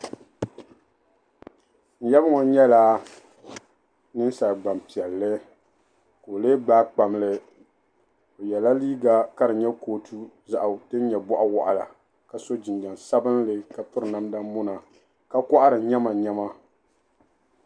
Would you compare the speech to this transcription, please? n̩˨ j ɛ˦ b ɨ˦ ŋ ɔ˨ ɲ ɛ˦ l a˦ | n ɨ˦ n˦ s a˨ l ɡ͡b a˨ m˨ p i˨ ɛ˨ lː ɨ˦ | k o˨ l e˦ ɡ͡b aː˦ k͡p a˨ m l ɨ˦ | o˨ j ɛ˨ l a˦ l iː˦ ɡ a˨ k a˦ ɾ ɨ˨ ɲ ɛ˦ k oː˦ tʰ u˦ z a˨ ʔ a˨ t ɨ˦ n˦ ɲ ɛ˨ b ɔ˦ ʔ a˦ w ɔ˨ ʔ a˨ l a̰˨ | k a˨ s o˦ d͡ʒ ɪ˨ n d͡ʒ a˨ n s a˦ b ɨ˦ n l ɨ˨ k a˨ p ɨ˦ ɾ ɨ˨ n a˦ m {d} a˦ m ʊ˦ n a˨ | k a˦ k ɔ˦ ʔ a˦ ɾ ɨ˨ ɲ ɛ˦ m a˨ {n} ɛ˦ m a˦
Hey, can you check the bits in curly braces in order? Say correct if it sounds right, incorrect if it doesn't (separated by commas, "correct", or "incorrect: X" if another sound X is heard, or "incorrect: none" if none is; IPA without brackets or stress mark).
correct, incorrect: ɲ